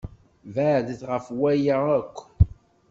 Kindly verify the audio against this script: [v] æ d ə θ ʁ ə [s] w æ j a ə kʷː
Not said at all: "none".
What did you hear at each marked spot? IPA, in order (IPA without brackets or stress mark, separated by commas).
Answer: v, f